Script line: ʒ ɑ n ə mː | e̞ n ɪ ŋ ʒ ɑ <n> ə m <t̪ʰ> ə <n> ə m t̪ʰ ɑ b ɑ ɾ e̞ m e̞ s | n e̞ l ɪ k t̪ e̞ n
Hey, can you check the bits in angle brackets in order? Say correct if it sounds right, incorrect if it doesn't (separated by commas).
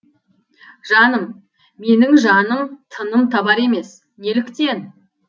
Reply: correct, correct, correct